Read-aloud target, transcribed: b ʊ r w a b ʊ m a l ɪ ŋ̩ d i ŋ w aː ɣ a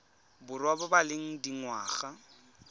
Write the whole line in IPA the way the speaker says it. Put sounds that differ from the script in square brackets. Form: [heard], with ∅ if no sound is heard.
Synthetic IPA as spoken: b ʊ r w a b ʊ [b] a l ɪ ŋ̩ d i ŋ w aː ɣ a